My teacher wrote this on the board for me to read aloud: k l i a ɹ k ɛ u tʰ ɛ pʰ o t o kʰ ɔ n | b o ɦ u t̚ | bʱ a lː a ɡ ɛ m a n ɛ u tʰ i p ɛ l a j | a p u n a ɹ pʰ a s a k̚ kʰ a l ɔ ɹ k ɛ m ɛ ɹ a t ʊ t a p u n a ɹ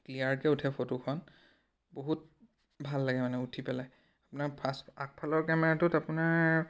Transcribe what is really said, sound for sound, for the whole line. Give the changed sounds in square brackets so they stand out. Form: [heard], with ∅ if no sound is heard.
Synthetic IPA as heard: k l i a ɹ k ɛ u tʰ ɛ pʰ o t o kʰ ɔ n | b o ɦ u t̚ | bʱ a lː a ɡ ɛ m a n ɛ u tʰ i p ɛ l a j | a p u n a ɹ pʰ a s a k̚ [pʰ] a l ɔ ɹ k ɛ m ɛ ɹ a t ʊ t a p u n a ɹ